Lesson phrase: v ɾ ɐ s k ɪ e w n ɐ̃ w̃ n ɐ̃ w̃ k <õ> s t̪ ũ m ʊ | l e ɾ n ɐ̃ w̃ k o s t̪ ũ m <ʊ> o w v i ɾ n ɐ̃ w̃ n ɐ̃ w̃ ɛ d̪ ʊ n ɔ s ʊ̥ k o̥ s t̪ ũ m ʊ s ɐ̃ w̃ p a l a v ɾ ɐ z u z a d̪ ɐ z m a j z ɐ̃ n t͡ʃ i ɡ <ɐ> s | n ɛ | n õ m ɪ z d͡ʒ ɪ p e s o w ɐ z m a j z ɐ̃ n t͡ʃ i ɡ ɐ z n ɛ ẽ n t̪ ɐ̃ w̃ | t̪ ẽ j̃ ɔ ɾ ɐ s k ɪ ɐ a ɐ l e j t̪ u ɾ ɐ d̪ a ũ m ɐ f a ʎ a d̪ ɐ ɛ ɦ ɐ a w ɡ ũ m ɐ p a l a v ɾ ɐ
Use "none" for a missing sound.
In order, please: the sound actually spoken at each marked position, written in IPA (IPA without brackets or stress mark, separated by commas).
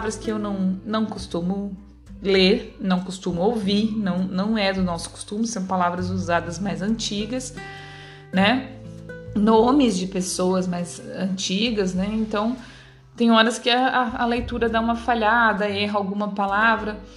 o, ʊ, ɐ